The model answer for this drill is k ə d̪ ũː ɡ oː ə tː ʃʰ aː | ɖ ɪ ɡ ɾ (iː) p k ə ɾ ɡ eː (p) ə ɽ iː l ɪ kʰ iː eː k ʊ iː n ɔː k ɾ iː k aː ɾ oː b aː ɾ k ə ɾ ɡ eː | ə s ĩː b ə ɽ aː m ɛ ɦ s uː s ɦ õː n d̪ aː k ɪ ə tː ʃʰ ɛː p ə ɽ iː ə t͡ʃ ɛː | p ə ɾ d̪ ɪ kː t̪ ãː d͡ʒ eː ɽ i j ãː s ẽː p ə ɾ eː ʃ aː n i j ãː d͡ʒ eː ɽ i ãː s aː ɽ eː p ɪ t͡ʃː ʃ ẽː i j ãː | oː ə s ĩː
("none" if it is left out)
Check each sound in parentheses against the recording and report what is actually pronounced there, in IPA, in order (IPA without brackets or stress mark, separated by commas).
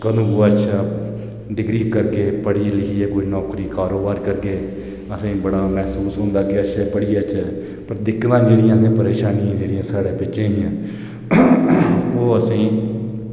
iː, p